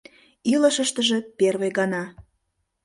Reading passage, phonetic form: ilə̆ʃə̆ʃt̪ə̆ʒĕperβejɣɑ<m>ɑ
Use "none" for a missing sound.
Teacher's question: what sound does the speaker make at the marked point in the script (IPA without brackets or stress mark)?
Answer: n